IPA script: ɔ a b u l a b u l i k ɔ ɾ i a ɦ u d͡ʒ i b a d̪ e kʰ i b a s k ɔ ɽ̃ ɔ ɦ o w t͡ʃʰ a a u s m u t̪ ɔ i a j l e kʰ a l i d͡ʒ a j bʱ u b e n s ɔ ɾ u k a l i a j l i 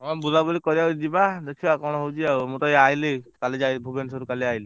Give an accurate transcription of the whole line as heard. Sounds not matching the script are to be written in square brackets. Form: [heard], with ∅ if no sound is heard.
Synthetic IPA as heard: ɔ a b u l a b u l i k ɔ ɾ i a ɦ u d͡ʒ i b a d̪ e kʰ i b a [∅] k ɔ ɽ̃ ɔ ɦ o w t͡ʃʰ [i] a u [∅] m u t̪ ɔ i a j l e [k] a l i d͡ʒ a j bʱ u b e n s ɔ ɾ u k a l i a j l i

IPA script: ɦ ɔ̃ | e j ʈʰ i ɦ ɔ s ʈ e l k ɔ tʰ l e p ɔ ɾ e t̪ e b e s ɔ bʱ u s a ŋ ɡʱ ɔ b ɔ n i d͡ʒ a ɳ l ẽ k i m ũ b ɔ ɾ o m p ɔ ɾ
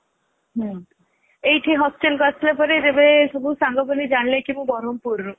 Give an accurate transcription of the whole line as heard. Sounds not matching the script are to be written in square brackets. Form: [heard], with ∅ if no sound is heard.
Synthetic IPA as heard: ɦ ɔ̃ | e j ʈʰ i ɦ ɔ s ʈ e l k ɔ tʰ l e p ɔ ɾ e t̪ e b e s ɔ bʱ u s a ŋ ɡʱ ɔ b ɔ n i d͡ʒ a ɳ l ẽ k i m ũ b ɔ ɾ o m p [u] ɾ

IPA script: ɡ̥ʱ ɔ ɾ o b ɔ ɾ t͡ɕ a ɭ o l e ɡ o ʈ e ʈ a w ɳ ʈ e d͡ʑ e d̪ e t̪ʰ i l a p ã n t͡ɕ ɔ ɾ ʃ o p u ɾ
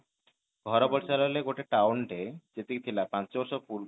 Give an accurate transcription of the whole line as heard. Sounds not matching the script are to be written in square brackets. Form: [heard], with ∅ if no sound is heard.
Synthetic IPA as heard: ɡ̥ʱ ɔ ɾ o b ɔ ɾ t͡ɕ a [l] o l e ɡ o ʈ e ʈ a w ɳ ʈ e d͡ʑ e [t̪] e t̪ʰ i l a p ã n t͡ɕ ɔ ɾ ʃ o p u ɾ

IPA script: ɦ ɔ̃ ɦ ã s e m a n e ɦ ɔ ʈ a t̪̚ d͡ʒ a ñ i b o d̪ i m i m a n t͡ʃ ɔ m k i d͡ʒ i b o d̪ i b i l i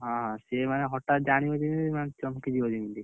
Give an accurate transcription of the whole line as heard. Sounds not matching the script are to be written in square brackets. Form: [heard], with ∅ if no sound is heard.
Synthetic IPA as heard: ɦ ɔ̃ ɦ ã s e m a n e ɦ ɔ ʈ a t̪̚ d͡ʒ a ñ i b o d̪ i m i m a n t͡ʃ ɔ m k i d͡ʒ i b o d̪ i [m] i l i

